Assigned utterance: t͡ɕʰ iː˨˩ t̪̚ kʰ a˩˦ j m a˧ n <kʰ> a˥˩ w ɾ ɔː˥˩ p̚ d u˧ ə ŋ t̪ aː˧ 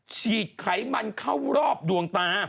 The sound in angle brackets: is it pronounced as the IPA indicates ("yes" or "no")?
yes